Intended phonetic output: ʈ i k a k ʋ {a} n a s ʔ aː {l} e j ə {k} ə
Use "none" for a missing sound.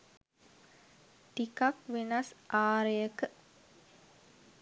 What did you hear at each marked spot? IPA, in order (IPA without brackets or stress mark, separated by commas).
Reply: e, ɾ, k